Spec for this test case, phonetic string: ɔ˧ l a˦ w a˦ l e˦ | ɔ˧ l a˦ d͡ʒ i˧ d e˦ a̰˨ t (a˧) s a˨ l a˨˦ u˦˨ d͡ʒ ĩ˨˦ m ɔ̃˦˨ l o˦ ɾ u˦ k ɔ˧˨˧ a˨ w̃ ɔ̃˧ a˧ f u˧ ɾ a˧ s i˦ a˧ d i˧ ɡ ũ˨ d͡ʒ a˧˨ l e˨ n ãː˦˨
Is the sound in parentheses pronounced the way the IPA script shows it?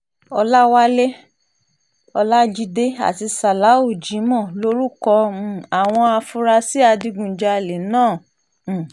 no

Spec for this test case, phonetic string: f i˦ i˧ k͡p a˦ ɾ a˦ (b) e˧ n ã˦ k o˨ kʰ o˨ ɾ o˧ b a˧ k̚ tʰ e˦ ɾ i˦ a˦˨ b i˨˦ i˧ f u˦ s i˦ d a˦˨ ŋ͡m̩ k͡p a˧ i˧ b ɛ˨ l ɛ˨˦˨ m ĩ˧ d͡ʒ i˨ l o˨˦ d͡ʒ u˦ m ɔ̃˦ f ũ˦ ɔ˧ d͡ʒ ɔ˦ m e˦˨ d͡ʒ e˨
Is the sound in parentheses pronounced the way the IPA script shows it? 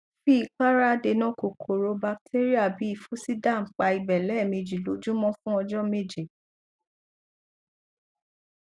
no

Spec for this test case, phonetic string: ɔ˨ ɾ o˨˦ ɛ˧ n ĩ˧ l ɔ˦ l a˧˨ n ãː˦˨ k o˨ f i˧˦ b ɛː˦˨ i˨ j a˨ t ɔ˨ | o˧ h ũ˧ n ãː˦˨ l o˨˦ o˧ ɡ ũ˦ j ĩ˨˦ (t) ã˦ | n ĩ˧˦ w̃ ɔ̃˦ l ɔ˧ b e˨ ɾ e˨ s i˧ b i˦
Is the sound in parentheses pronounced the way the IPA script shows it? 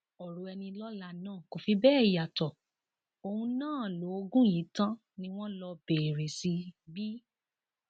yes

